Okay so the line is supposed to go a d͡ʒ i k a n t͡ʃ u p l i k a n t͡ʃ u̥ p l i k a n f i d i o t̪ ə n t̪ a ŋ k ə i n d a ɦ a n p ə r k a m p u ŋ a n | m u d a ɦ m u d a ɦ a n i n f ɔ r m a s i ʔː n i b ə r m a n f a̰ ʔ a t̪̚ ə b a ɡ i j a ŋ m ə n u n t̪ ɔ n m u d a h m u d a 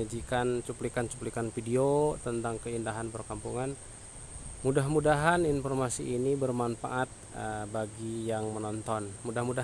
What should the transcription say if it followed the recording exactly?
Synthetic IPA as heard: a d͡ʒ i k a n t͡ʃ u p l i k a n t͡ʃ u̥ p l i k a n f i d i o t̪ ə n t̪ a ŋ k ə i n d a ɦ a n p ə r k a m p u ŋ a n | m u d a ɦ m u d a ɦ a n i n f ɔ r m a s i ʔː n i b ə r m a n f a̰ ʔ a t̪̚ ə b a ɡ i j a ŋ m ə n ɔ n t̪ ɔ n m u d a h m u d a